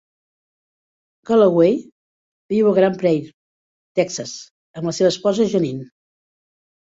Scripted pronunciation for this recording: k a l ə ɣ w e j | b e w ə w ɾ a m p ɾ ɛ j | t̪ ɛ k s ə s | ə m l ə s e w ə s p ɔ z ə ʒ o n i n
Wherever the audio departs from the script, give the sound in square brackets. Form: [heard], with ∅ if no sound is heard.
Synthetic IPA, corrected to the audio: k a l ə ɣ w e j | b [i] w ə [ɣ] ɾ a m p ɾ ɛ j | t̪ ɛ k s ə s | ə m l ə s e [β] ə s p ɔ z ə ʒ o n i n